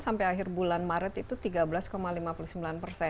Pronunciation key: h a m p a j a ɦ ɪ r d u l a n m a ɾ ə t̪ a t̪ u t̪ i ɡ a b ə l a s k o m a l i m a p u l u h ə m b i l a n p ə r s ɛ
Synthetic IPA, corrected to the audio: s a m p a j a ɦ ɪ r b u l a n m a ɾ ə t̪ i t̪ u t̪ i ɡ a b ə l a s k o m a l i m a p u l u s ə m b i l a n p ə r s ɛ